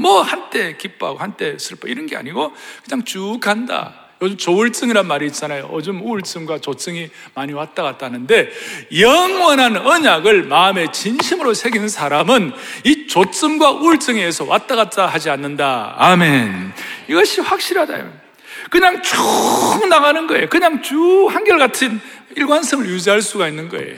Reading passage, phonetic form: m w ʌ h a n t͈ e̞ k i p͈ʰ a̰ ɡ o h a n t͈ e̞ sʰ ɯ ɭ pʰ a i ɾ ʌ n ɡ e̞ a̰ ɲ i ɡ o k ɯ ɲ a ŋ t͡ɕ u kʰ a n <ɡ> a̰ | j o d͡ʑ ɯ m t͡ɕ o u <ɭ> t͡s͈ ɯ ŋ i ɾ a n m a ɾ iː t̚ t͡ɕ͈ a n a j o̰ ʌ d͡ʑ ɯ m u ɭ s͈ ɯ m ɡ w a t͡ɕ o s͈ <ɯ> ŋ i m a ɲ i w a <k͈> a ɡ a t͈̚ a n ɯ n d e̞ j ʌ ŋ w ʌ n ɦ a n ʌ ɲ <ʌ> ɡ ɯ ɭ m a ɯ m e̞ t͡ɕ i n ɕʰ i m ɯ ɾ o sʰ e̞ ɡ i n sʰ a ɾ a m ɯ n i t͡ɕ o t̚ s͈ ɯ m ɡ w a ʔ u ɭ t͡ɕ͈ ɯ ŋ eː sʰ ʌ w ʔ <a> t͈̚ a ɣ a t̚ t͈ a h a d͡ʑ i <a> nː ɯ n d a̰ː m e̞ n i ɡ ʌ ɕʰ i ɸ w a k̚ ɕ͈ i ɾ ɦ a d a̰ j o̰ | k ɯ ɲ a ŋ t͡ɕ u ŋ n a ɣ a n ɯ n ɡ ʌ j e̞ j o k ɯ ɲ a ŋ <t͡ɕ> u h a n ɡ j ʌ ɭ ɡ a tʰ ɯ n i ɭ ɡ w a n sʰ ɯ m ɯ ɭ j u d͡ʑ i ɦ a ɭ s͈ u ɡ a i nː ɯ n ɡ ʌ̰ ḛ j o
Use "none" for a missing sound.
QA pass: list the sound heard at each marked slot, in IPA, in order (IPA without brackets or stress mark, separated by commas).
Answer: d, ɭ, ɯ, t͈, a, a, a, t͡ɕ